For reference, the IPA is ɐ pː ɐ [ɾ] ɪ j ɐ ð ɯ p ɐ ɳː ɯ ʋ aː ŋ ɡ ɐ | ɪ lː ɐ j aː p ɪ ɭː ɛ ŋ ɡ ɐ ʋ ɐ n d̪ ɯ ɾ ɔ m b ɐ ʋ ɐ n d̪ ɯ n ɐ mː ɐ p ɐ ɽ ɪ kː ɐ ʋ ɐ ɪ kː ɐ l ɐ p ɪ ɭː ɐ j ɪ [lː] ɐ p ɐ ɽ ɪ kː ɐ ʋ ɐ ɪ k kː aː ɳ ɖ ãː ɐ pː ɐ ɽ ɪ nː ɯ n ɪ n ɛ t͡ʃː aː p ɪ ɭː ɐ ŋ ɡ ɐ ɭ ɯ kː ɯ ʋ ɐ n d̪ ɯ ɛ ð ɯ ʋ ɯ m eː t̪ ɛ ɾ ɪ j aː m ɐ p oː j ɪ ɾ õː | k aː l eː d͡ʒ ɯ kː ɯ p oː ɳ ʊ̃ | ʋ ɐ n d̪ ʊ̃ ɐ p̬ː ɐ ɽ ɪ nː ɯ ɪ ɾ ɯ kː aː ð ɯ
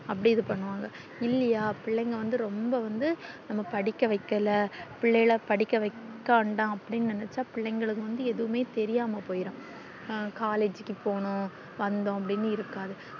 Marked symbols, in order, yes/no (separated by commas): no, no